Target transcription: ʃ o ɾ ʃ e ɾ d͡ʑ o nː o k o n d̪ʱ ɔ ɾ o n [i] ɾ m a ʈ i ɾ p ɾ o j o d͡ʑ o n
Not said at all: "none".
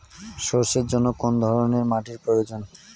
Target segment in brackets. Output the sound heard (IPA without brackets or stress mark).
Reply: e